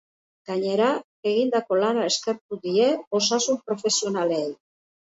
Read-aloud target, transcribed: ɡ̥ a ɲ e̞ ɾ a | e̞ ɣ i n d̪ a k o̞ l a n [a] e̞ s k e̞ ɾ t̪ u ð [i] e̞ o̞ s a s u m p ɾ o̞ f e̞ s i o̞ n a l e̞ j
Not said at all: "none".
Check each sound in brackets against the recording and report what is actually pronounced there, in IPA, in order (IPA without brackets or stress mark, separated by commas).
a, i